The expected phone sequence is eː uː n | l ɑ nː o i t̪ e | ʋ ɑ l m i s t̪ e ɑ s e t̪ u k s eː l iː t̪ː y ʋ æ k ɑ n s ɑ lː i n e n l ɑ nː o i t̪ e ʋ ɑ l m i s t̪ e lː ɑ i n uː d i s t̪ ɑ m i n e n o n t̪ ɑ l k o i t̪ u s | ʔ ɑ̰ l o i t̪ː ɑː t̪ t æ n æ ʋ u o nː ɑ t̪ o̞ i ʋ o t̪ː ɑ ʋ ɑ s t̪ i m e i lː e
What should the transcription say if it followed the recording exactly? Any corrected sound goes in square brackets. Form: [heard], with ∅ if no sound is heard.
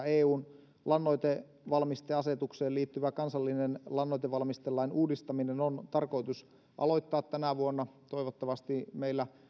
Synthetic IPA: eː uː n | l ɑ nː o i t̪ e | ʋ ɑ l m i s t̪ e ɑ s e t̪ u k s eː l iː t̪ː y ʋ æ k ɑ n s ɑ lː i n e n l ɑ nː o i t̪ e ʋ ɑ l m i s t̪ e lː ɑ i n uː d i s t̪ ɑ m i n e n o n t̪ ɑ [r] k o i t̪ u s | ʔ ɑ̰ l o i t̪ː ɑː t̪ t æ n æ ʋ u o nː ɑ t̪ o̞ i ʋ o t̪ː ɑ ʋ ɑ s t̪ i m e i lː [æ]